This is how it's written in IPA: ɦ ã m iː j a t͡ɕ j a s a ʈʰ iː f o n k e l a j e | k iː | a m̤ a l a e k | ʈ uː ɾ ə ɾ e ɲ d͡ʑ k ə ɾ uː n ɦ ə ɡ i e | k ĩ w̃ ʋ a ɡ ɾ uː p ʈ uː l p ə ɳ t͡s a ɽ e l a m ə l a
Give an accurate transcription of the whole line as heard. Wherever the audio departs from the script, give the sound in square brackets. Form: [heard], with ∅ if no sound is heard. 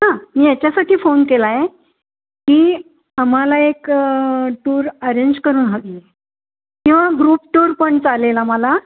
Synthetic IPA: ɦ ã m iː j a t͡ɕ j a s a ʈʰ iː f o n k e l a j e | k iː | a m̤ a l a e k | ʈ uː ɾ ə ɾ e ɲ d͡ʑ k ə ɾ uː n ɦ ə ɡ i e | k ĩ w̃ ʋ a ɡ ɾ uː p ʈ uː [ɾ] p ə ɳ t͡s a [l] e l a m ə l a